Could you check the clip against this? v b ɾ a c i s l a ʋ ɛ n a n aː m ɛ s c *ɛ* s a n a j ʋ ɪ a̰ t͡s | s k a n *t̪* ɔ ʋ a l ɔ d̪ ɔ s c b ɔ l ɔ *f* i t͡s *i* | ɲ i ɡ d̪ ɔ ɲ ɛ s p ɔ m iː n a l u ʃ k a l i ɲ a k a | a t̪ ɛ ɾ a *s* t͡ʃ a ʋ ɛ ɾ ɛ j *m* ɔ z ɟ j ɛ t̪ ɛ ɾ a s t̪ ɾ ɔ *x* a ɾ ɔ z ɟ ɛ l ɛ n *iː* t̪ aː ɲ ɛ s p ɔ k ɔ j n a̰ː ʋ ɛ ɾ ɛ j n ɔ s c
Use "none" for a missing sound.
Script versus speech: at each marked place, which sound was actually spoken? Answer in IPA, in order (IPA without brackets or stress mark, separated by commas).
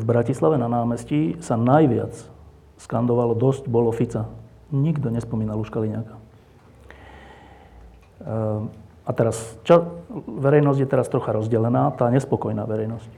i, d̪, f, a, s, n, x, aː